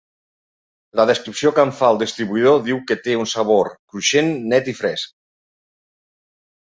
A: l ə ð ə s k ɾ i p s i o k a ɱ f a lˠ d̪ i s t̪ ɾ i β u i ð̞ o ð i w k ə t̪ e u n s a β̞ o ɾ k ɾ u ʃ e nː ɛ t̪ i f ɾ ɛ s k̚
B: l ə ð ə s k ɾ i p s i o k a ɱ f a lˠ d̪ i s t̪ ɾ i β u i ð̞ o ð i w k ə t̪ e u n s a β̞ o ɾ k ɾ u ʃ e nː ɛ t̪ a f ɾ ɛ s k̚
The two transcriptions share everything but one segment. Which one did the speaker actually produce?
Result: A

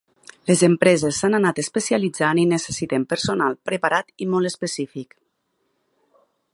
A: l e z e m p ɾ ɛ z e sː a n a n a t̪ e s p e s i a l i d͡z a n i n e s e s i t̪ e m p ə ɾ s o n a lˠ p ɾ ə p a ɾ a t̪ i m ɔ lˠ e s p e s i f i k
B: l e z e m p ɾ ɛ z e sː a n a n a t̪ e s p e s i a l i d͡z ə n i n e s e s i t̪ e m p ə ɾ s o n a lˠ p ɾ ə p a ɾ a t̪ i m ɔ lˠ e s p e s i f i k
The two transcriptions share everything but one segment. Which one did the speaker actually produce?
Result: A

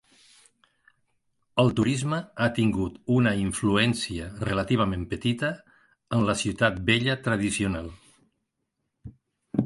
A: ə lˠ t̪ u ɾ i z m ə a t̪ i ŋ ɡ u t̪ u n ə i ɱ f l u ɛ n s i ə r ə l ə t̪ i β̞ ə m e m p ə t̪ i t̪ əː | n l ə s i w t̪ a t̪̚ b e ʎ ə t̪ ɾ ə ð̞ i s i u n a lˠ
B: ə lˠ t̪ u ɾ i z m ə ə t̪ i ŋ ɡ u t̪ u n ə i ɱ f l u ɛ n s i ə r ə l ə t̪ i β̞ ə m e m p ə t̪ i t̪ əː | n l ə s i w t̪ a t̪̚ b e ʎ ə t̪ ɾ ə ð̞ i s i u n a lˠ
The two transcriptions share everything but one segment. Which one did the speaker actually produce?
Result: A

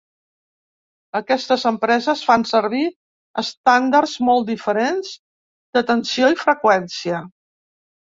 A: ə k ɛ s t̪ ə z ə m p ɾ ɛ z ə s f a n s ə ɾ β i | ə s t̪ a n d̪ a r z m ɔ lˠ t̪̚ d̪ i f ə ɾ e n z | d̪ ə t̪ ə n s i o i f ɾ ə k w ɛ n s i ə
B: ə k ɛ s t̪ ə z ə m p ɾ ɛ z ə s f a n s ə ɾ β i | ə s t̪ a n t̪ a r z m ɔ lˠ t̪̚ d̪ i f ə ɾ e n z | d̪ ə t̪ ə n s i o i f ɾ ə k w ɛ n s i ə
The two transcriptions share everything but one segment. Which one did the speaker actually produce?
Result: A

